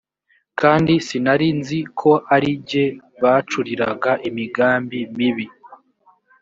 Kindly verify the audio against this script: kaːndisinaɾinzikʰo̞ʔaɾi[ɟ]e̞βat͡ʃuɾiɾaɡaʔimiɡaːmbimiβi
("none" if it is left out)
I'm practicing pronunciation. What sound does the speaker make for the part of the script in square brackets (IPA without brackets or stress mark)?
ɟ